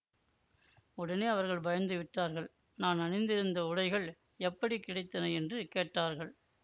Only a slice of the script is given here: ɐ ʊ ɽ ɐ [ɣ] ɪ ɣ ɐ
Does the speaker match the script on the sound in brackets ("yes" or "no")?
no